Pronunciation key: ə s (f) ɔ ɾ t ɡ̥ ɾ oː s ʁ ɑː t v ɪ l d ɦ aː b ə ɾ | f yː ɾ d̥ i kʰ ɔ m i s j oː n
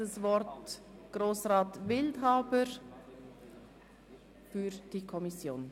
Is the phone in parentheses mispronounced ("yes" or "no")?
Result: yes